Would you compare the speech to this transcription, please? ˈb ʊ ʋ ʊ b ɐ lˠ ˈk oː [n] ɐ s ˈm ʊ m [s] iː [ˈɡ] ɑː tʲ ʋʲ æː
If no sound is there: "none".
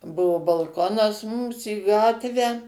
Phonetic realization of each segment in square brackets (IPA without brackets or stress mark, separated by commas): n, s, ɡ